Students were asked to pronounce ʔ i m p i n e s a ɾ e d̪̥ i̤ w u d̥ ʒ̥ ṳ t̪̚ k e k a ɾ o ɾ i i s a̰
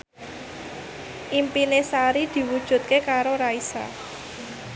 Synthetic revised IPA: ʔ i m p i n e s a ɾ i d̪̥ i̤ w u d̥ ʒ̥ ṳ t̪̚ k e k a ɾ o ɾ a i s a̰